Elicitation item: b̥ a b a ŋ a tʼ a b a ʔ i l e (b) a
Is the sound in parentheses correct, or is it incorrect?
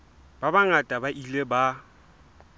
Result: correct